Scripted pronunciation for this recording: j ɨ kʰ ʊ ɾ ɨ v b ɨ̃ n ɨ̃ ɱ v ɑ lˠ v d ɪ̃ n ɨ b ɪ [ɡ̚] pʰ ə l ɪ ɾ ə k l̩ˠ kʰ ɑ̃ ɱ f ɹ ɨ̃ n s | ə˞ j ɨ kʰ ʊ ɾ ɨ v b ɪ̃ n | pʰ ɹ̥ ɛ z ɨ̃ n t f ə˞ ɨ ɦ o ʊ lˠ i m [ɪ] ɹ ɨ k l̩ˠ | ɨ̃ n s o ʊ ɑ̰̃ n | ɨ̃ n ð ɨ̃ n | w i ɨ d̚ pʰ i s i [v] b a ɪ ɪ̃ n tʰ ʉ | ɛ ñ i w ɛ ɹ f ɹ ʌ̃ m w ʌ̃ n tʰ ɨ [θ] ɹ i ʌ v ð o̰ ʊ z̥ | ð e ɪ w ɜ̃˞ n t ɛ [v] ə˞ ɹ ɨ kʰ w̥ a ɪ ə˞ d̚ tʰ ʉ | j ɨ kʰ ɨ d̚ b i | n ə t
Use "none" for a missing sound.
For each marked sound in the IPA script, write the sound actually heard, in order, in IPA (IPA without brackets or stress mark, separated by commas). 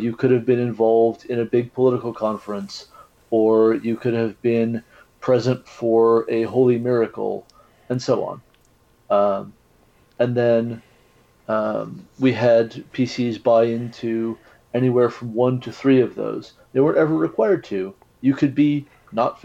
ɡ̚, ɪ, z, θ, v